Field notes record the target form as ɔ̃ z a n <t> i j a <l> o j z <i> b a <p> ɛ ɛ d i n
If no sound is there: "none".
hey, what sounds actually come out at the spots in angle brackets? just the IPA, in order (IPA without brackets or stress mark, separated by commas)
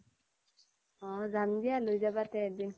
d, l, a, t